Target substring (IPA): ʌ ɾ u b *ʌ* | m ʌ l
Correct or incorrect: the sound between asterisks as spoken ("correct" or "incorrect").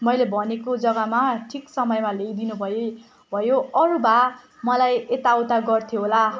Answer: incorrect